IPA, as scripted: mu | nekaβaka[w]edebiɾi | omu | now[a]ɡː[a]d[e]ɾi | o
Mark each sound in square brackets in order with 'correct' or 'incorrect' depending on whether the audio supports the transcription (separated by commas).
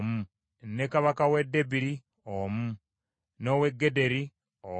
correct, incorrect, incorrect, correct